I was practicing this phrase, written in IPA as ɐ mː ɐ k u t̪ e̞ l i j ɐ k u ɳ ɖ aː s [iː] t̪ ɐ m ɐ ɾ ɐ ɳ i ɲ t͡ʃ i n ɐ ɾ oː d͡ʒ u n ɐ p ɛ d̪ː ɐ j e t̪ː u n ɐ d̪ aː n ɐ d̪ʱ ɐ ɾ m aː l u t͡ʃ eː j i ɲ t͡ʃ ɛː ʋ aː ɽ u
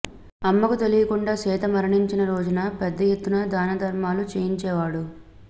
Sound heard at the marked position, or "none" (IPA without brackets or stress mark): ɛː